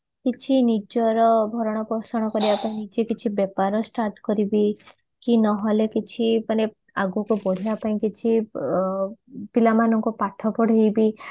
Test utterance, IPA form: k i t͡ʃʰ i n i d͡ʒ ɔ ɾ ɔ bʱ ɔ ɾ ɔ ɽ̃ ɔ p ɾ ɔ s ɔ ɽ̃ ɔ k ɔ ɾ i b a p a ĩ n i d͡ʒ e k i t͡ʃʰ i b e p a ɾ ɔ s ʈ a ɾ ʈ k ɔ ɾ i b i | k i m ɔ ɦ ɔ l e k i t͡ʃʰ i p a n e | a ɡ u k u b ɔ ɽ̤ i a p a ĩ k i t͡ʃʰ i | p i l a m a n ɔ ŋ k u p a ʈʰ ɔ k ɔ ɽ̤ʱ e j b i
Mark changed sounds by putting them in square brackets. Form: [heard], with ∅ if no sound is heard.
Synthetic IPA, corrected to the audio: k i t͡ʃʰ i n i d͡ʒ ɔ ɾ ɔ bʱ ɔ ɾ ɔ ɽ̃ ɔ p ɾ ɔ s ɔ ɽ̃ ɔ k ɔ ɾ i b a p a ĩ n i d͡ʒ e k i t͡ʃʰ i b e p a ɾ ɔ s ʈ a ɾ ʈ k ɔ ɾ i b i | k i [n] ɔ ɦ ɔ l e k i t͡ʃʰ i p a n e | a ɡ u k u b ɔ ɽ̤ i a p a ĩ k i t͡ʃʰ i | p i l a m a n ɔ ŋ k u p a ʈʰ ɔ [p] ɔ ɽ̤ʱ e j b i